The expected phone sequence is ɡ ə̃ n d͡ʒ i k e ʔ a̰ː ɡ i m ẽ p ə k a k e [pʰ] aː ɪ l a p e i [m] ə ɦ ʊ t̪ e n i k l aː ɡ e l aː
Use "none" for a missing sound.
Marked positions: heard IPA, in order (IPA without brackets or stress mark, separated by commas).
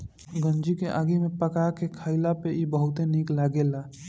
kʰ, b